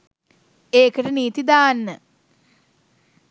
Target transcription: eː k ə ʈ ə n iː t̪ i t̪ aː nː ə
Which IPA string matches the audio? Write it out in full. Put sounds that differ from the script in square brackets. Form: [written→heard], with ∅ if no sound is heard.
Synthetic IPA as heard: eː k ə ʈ ə n iː t̪ i [t̪→d̪] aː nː ə